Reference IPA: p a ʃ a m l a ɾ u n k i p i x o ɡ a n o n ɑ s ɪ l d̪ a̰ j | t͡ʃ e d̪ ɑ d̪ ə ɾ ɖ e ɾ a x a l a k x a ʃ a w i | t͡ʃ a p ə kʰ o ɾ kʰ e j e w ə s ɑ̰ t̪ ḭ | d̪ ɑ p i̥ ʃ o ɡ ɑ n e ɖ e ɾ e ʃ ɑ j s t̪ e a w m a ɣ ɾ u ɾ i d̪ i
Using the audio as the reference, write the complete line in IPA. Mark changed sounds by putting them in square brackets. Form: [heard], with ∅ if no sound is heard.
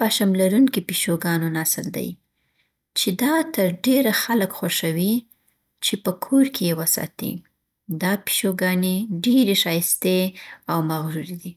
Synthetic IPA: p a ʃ a m l a ɾ u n k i p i [ʃ] o ɡ [ɑ] n o n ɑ s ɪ l d̪ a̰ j | t͡ʃ e d̪ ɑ [t̪] ə ɾ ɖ e ɾ a x a l [ə] k x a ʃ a w i | t͡ʃ [e] p ə kʰ o ɾ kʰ e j e w ə s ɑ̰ t̪ ḭ | d̪ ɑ p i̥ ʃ o ɡ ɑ n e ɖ e ɾ e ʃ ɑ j s t̪ e a w m a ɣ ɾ u ɾ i d̪ i